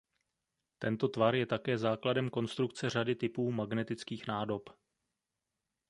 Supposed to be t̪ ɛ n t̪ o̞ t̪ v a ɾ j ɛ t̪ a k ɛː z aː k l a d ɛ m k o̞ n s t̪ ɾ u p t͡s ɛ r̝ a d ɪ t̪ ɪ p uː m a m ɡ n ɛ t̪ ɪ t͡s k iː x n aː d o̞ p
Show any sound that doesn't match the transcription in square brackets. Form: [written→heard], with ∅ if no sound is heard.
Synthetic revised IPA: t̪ ɛ n t̪ o̞ t̪ v a ɾ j ɛ t̪ a k ɛː z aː k l a d ɛ m k o̞ n s t̪ ɾ u [p→k] t͡s ɛ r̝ a d ɪ t̪ ɪ p uː m a [m→∅] ɡ n ɛ t̪ ɪ t͡s k iː x n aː d o̞ p